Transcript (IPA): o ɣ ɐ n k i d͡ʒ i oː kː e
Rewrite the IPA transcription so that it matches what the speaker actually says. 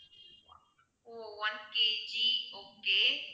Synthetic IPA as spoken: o w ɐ n k e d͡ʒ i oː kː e